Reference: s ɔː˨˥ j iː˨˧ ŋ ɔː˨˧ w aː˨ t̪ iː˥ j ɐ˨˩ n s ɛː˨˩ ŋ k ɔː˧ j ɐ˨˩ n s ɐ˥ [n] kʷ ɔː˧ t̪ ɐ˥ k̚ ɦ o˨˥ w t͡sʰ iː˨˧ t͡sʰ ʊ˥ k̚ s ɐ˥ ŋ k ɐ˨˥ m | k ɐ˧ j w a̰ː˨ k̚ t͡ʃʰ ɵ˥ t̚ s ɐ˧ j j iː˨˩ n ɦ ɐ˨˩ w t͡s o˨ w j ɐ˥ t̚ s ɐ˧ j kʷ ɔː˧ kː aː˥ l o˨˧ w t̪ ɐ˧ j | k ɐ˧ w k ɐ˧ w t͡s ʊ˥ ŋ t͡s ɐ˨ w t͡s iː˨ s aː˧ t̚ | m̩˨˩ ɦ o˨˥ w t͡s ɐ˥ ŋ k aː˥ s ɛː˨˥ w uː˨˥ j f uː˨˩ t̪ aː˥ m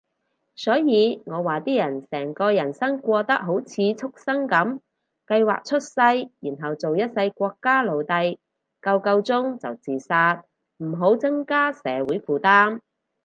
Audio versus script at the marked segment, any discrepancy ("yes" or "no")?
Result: yes